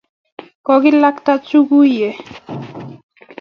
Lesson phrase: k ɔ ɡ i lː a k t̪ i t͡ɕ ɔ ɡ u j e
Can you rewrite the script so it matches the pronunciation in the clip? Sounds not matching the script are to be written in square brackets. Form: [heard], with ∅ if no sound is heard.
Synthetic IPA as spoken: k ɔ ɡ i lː a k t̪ [a] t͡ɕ [u] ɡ u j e